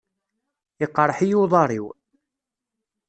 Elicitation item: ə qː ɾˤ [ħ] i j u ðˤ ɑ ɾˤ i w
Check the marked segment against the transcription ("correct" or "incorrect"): correct